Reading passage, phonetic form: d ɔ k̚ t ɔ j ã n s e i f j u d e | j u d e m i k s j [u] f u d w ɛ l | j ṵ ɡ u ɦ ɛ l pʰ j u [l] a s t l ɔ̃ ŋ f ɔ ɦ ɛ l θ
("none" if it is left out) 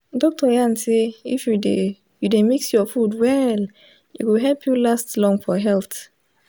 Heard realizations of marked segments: ɔ, l

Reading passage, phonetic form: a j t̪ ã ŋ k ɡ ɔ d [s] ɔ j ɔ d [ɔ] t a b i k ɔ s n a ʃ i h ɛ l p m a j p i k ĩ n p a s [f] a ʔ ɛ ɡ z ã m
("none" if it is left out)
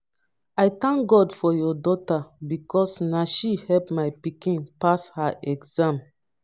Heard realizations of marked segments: f, ɔ, h

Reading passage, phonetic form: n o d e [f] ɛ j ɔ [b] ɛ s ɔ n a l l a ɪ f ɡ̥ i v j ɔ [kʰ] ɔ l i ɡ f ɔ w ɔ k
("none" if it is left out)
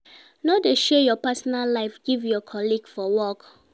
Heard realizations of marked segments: ʃ, p, kʰ

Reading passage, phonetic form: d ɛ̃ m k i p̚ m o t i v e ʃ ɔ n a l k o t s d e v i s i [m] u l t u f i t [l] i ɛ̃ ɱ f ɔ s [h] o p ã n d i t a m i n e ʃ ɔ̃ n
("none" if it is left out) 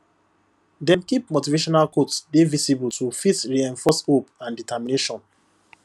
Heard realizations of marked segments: b, ɹ, h

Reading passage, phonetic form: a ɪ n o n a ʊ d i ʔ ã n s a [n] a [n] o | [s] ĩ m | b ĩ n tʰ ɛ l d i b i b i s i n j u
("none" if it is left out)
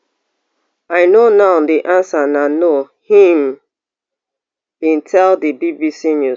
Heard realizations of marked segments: n, n, h

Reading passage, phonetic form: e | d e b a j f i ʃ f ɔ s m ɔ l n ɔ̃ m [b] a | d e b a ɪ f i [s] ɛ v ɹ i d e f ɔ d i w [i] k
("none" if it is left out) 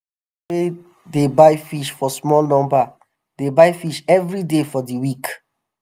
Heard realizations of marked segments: b, ʃ, i

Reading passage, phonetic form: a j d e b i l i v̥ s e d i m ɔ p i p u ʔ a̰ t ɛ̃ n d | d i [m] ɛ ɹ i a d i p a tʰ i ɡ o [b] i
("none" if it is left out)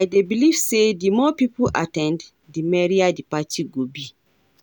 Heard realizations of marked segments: m, b

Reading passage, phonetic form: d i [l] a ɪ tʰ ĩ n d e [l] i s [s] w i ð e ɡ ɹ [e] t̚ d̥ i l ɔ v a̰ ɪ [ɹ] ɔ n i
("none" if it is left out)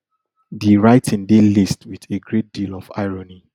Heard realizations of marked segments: ɹ, l, t, e, ɹ

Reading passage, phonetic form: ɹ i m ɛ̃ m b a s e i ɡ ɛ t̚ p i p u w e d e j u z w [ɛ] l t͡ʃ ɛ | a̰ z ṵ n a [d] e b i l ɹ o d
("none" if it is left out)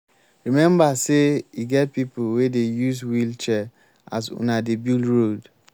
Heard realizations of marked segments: i, d

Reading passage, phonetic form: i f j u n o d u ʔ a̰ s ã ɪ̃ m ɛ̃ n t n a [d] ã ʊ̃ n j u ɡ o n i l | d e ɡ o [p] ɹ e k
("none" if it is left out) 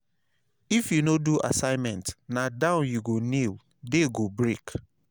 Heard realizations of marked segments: d, b

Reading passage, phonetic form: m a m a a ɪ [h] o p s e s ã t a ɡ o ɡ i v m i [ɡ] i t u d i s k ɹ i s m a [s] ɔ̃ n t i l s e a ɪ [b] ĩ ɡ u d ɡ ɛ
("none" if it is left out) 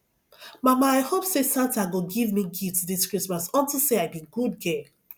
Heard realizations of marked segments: h, ɡ, s, b

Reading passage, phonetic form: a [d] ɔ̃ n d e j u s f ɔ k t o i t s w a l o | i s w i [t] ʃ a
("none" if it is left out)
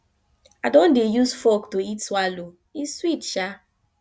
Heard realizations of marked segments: d, t

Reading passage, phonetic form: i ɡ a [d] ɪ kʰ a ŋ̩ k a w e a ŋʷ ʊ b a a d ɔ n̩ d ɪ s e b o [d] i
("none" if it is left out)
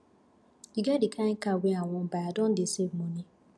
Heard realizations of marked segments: d, n

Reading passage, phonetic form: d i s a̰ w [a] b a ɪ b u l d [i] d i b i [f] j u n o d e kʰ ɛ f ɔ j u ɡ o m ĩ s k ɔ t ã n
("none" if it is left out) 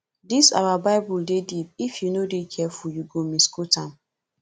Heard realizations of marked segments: a, e, f

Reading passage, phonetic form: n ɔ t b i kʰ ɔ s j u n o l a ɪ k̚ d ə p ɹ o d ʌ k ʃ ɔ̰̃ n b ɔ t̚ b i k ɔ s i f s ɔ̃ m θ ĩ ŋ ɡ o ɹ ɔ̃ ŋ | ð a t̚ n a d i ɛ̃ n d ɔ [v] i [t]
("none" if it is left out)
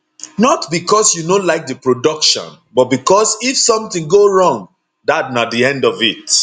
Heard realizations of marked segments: v, t

